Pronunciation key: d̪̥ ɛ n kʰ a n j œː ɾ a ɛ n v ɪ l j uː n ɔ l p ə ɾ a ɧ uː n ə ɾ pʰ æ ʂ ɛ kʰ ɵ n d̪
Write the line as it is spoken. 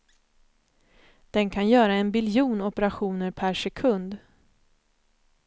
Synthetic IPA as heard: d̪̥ ɛ n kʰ a n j œː ɾ a ɛ n b ɪ l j uː n ɔ p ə ɾ a ɧ uː n ə ɾ pʰ æ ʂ ɛ kʰ ɵ n d̪